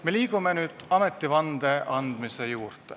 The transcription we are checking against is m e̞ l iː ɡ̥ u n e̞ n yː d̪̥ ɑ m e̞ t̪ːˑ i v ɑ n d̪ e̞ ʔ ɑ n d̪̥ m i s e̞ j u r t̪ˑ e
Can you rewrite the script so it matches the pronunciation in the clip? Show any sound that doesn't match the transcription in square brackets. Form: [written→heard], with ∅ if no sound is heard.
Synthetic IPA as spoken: m e̞ l iː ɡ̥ u [n→m] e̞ n yː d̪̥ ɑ m e̞ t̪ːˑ i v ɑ n d̪ e̞ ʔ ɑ n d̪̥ m i s e̞ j [u→uː] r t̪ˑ e